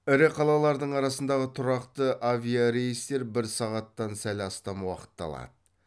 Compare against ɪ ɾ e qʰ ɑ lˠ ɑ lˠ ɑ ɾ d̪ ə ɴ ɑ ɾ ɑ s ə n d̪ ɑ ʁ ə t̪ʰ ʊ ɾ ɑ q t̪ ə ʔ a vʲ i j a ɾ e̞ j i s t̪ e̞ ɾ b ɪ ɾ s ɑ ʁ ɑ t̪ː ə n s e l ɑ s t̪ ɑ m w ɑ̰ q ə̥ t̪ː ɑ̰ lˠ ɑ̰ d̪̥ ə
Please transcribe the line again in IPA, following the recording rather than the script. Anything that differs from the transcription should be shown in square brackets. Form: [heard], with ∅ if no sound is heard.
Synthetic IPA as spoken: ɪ ɾ e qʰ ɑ lˠ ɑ lˠ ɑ ɾ d̪ ə ɴ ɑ ɾ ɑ s ə n d̪ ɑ ʁ ə t̪ʰ ʊ ɾ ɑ q t̪ ə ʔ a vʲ i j a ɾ e̞ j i s t̪ e̞ ɾ b ɪ ɾ s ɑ ʁ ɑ t̪ː [ɑ] n s [æ] l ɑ s t̪ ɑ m w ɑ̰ q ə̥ t̪ː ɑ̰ lˠ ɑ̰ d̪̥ ə